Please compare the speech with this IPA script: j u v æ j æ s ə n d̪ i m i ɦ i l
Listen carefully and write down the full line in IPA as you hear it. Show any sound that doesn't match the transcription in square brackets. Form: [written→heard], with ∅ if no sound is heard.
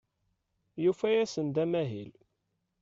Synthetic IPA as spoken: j u [v→f] æ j æ s ə n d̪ [i→æ] m [i→æ] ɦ i l

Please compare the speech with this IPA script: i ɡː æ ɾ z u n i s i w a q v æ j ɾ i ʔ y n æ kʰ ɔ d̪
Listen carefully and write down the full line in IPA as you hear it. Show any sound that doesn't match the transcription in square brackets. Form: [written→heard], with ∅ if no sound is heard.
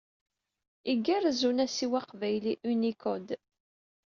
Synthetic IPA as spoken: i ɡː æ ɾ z u n [i→æ] s i w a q v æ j [ɾ→l] i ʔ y n [æ→i] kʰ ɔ d̪

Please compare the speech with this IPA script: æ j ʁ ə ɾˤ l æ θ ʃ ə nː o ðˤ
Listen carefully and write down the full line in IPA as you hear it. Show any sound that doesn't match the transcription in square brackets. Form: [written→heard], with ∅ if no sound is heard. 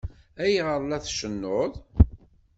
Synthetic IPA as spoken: æ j ʁ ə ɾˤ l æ θ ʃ ə nː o ðˤ

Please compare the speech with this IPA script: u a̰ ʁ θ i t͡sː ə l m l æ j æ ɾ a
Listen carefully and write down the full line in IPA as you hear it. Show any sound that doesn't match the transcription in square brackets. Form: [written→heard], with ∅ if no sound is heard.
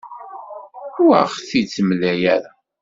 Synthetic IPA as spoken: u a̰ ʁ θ i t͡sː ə [l→∅] m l æ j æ ɾ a

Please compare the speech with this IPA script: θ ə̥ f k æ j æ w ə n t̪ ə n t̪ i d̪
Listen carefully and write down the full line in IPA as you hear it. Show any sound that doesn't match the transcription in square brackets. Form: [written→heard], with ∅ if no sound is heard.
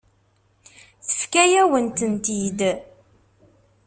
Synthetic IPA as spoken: θ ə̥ f k æ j æ w ə n t̪ ə n t̪ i d̪

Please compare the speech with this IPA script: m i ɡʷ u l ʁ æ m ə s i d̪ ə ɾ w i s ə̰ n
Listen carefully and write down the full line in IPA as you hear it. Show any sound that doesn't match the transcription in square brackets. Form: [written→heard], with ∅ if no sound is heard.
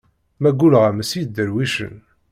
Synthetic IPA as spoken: m [i→æ] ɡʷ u l ʁ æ m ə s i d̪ ə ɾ w i [s→ʃ] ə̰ n

